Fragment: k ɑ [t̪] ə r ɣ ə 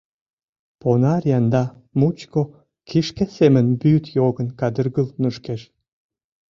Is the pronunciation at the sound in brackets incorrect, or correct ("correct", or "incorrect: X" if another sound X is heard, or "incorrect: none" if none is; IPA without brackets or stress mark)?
incorrect: d̪